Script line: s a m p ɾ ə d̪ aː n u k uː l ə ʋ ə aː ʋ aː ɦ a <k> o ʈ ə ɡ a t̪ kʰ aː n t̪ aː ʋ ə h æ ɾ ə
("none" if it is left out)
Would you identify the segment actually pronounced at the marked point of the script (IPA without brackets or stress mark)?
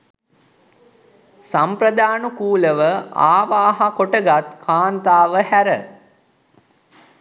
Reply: k